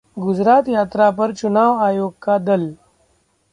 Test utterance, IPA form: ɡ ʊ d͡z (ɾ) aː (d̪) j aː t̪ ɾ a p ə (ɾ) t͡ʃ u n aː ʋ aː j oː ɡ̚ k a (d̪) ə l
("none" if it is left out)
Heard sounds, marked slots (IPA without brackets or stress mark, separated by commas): ɾ, t̪, ɾ, d̪